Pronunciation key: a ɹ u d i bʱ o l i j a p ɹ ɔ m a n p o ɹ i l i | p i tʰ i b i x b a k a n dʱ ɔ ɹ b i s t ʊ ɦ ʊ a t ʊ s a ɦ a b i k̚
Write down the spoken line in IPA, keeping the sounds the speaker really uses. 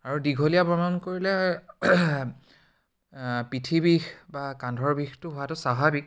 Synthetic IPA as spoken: a ɹ u d i ɡʱ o l i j a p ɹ ɔ m a n k o ɹ i l ɛ | p i tʰ i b i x b a k a n dʱ ɔ ɹ b i x t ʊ ɦ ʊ a t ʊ s a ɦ a b i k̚